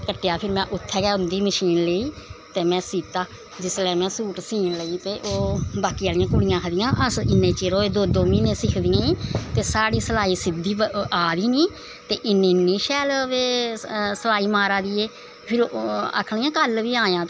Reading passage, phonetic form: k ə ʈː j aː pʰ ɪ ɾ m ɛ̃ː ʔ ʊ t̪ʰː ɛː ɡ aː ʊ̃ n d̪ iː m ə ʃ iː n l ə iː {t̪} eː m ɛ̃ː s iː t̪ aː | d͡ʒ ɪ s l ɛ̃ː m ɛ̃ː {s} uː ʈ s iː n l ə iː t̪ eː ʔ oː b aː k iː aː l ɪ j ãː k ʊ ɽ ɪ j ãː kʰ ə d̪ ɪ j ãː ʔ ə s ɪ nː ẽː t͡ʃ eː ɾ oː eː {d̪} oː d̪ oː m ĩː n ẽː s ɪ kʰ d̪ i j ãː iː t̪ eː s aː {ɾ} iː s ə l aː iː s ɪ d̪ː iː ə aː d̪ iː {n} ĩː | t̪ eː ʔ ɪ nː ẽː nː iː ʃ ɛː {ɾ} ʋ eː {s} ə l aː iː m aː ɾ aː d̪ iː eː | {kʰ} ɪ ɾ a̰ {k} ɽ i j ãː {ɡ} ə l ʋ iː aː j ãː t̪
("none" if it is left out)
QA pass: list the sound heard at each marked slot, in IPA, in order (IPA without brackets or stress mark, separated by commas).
t̪, s, d̪, ɽ, n, l, s, pʰ, kʰ, k